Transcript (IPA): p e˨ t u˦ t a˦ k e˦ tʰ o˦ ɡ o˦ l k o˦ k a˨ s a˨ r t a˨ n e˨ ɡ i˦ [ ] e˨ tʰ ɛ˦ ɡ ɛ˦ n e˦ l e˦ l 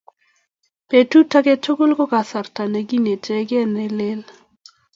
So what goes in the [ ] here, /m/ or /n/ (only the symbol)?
n